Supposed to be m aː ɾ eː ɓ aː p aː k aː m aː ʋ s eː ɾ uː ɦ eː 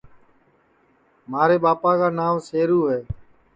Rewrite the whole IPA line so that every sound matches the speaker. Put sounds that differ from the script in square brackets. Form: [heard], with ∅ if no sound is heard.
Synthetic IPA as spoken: m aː ɾ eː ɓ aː p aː k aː [n] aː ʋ s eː ɾ uː ɦ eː